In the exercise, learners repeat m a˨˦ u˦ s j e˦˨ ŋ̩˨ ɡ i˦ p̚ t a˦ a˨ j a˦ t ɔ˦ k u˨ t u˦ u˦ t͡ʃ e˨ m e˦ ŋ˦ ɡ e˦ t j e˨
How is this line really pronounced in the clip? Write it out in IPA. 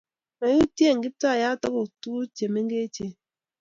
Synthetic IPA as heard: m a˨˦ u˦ t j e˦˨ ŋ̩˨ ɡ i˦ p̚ t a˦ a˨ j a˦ t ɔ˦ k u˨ t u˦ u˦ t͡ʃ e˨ m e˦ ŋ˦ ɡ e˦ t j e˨